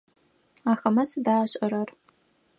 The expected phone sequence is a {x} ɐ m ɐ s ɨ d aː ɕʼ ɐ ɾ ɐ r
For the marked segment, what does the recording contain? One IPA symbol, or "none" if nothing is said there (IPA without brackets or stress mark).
x